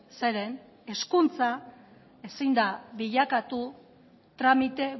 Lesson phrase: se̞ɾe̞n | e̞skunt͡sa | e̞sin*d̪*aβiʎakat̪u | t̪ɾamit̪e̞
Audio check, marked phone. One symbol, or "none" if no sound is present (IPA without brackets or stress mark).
d̪